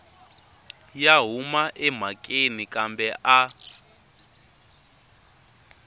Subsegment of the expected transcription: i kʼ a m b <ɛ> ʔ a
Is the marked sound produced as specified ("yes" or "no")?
yes